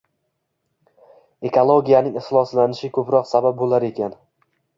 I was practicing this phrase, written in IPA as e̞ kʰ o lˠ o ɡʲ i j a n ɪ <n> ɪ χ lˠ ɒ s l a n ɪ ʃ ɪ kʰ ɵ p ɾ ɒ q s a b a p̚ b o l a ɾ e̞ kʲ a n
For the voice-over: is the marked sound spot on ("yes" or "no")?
no